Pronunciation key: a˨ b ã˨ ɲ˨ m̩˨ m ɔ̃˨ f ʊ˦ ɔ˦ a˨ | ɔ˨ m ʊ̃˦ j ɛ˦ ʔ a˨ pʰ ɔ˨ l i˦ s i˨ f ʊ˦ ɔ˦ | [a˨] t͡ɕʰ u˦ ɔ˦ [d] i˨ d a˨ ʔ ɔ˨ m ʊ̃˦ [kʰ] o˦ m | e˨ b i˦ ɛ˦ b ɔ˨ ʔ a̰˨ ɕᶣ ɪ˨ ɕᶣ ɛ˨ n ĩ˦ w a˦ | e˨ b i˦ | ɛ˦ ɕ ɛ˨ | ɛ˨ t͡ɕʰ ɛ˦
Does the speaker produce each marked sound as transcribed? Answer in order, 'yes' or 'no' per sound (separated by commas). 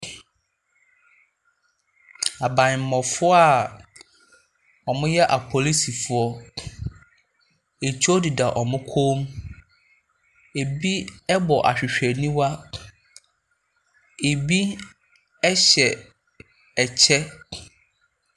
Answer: no, yes, yes